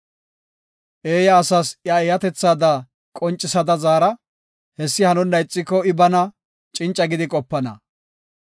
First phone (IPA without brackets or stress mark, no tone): ʔ